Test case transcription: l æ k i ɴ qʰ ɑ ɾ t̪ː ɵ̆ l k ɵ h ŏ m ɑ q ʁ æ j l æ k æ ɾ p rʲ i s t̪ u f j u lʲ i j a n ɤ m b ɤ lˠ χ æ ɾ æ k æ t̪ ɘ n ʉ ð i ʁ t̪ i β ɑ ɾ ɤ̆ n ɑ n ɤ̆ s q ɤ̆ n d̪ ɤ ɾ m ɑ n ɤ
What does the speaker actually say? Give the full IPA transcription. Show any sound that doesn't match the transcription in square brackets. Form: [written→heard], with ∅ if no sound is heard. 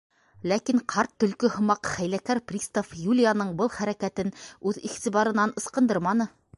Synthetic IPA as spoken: l æ k i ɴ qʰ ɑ ɾ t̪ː ɵ̆ l k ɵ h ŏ m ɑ q [ʁ→χ] æ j l æ k æ ɾ p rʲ i s t̪ [u→o] f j u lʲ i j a n ɤ [m→ɴ] b ɤ lˠ χ æ ɾ æ k æ t̪ ɘ n ʉ ð i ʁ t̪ i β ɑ ɾ ɤ̆ n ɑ n ɤ̆ s q ɤ̆ n d̪ ɤ ɾ m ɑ n ɤ

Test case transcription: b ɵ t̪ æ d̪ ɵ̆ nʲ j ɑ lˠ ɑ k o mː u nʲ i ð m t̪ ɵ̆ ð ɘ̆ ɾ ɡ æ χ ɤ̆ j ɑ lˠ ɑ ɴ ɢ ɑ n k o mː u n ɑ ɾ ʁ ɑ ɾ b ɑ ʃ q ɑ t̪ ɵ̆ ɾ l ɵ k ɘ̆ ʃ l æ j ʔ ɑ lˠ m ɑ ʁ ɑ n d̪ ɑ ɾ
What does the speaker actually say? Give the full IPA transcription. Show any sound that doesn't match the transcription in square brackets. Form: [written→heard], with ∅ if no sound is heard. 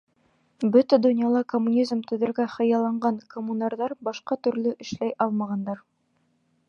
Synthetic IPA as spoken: b ɵ t̪ æ d̪ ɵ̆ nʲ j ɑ lˠ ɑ k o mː u nʲ i [ð→z] m t̪ ɵ̆ ð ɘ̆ ɾ ɡ æ χ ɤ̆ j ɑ lˠ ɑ ɴ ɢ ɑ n k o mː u n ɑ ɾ [ʁ→ð] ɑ ɾ b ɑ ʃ q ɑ t̪ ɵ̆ ɾ l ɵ [k→ʔ] ɘ̆ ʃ l æ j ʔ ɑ lˠ m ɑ ʁ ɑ n d̪ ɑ ɾ

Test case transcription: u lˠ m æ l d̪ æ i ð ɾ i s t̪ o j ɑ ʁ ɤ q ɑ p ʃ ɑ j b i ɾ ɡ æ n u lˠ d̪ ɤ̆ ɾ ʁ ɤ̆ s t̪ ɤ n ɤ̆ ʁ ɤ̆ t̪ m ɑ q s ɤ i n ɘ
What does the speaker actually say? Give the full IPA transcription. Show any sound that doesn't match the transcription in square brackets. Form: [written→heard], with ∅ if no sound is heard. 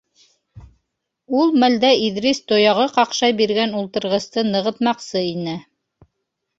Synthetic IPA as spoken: u lˠ m æ l d̪ æ i ð ɾ i s t̪ o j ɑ ʁ ɤ q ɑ [p→q] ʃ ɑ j b i ɾ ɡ æ n u lˠ [d̪→t̪] ɤ̆ ɾ ʁ ɤ̆ s t̪ ɤ n ɤ̆ ʁ ɤ̆ t̪ m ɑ q s ɤ i n ɘ

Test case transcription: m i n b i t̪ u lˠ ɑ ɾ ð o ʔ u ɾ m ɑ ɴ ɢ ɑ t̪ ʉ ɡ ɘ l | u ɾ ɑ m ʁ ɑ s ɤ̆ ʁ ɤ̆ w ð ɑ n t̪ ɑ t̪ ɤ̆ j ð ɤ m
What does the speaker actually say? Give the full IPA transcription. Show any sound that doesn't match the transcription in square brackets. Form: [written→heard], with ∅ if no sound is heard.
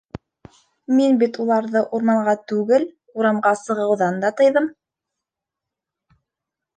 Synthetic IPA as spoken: m i n b i t̪ u lˠ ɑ ɾ ð [o→ɤ] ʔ u ɾ m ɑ ɴ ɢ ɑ t̪ ʉ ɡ ɘ l | u ɾ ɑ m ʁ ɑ s ɤ̆ ʁ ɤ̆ w ð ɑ n [t̪→d̪] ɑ t̪ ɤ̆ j ð ɤ m

